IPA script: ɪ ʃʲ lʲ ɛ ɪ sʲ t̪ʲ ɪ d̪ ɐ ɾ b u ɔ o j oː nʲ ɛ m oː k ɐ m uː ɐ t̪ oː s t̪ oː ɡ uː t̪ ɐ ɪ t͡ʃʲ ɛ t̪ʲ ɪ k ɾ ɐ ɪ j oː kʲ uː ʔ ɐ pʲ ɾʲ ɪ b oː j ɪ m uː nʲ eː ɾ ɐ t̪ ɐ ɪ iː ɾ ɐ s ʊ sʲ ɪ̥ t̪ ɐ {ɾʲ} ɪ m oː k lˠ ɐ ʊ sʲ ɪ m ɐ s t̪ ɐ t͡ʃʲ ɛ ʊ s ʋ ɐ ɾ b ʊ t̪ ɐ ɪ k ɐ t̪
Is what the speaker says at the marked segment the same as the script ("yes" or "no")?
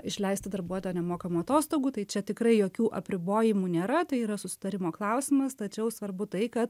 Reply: yes